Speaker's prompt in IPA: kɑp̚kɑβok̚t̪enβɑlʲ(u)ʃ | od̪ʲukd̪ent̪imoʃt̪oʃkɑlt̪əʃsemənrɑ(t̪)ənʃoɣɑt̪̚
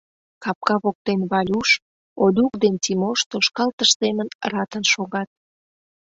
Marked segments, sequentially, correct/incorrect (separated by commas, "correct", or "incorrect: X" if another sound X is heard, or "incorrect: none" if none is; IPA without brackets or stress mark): correct, correct